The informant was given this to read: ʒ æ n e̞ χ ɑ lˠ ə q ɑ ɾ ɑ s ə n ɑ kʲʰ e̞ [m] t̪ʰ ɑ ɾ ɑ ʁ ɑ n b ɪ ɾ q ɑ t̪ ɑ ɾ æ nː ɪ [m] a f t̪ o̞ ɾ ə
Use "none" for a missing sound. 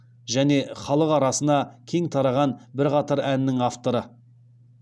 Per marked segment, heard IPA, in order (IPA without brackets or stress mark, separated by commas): ŋ, ŋ